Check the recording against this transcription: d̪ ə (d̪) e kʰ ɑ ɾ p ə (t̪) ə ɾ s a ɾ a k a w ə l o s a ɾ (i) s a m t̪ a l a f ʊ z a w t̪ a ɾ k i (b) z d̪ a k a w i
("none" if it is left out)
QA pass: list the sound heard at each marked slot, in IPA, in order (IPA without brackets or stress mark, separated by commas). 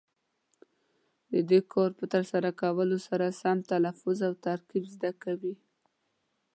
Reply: d̪, t̪, a, b